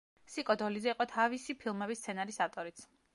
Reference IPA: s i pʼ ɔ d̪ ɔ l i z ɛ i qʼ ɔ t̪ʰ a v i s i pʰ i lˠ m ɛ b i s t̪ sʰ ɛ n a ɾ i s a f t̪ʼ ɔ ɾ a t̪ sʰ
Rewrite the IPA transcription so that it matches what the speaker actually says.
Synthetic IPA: s i kʼ ɔ d̪ ɔ l i z ɛ i qʼ ɔ t̪ʰ a v i s i pʰ i lˠ m ɛ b i s t̪ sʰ ɛ n a ɾ i s a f t̪ʼ ɔ ɾ i t̪ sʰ

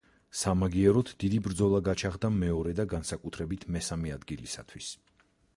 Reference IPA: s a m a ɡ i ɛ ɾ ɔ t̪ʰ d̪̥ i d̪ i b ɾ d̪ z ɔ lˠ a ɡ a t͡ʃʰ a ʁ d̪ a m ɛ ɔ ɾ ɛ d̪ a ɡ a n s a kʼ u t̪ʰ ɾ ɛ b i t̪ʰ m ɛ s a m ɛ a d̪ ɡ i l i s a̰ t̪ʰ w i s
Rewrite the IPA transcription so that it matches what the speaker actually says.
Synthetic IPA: s a m a ɡ i ɛ ɾ ɔ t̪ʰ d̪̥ i d̪ i b ɾ d̪ z ɔ lˠ a ɡ a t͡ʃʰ a ʁ d̪ a m ɛ ɔ ɾ ɛ d̪ a ɡ a n s a kʼ u t̪ʰ ɾ ɛ b i t̪ʰ m ɛ s a m ɛ a d̪ ɡ i l i s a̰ t̪ʰ w i s

